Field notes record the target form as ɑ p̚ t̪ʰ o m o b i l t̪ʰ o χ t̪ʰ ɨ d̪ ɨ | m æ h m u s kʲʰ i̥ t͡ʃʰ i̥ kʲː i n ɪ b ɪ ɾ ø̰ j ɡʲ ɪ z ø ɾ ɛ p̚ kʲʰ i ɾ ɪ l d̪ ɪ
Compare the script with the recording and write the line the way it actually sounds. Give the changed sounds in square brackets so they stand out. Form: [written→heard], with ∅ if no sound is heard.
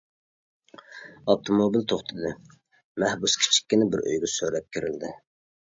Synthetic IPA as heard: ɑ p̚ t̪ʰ o m o b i l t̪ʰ o χ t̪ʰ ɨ d̪ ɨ | m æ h [m→b] u s kʲʰ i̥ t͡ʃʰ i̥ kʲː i n ɪ b ɪ ɾ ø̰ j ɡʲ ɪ [z→s] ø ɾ ɛ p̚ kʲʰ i ɾ ɪ l d̪ ɪ